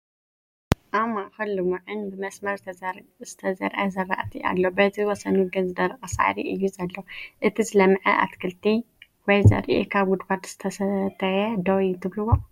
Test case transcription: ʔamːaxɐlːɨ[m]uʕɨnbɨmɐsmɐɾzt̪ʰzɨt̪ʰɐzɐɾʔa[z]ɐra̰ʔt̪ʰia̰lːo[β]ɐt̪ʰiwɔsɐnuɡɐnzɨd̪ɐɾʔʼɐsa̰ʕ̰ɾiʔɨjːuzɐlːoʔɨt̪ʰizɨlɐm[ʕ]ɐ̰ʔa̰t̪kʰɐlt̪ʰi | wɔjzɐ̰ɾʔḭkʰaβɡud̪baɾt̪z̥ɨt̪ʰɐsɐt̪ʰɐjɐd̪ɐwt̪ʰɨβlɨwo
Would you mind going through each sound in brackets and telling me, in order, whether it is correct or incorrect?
correct, correct, incorrect: b, correct

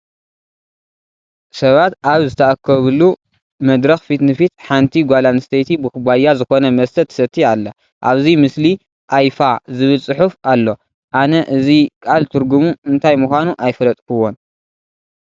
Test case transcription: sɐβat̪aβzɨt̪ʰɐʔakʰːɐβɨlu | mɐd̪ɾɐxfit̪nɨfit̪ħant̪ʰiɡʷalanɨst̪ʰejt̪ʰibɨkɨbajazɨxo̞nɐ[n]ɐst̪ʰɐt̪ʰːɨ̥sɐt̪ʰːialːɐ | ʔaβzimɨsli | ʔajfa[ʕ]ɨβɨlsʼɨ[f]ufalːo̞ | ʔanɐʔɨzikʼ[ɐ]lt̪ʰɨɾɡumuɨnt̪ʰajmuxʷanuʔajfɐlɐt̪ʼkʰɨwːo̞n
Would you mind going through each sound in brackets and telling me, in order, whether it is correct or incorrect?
incorrect: m, incorrect: z, incorrect: ħ, incorrect: a

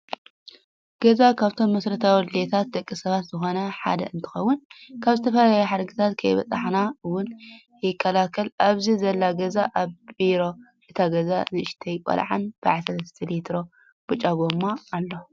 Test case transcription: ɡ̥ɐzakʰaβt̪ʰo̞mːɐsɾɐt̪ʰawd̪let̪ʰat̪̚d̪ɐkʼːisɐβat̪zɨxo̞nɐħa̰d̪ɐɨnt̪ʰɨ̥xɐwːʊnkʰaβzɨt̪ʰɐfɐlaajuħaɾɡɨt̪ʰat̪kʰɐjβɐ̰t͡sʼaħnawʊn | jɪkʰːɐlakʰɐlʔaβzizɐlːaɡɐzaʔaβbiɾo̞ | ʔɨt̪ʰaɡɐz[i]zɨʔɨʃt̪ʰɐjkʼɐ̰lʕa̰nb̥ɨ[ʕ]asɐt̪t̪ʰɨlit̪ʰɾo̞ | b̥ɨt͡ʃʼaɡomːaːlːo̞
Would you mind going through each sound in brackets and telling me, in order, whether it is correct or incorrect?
incorrect: a, correct

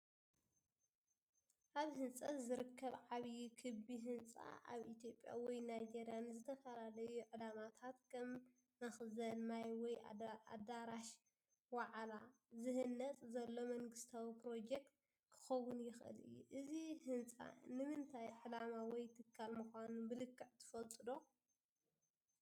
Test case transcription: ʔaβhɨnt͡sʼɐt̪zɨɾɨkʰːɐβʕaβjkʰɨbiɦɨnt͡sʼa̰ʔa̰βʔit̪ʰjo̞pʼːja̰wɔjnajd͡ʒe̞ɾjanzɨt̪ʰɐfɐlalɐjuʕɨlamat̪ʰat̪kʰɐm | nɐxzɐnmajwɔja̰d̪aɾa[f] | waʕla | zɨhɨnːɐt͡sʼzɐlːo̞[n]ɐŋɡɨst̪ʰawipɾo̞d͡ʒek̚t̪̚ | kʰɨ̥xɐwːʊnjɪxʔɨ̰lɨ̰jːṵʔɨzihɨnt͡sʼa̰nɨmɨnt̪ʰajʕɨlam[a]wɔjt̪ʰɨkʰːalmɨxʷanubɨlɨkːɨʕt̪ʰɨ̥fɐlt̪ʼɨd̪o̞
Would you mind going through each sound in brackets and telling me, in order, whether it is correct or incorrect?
incorrect: ʃ, incorrect: m, correct

